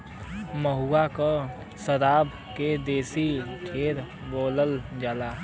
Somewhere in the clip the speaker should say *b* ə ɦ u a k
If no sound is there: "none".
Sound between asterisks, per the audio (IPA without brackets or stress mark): m